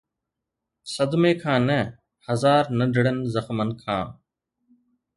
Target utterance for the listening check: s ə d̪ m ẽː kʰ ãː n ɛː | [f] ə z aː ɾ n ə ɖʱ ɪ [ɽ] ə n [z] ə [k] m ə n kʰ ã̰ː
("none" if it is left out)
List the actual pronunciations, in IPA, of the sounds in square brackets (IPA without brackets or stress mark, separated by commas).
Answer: h, ɽ, z, x